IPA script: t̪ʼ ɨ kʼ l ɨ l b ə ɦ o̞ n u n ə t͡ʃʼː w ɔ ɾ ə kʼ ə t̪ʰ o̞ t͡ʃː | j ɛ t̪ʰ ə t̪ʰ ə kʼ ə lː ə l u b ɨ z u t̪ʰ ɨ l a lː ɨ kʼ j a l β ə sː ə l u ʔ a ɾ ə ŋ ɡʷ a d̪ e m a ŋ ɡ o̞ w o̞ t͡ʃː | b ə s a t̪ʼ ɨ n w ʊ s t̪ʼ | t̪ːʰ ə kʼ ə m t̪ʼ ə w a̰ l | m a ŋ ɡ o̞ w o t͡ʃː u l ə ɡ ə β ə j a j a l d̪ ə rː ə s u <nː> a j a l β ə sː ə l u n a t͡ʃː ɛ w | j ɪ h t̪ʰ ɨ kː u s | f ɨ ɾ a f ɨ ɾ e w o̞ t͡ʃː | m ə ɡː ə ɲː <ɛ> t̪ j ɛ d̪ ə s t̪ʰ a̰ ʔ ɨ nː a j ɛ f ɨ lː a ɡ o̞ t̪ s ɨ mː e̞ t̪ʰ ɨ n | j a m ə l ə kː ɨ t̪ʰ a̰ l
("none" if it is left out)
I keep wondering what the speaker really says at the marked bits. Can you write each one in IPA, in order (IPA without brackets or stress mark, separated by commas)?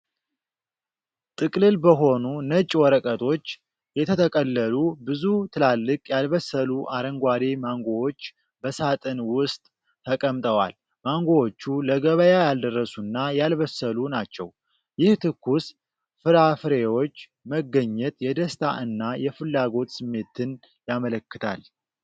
nː, ɛ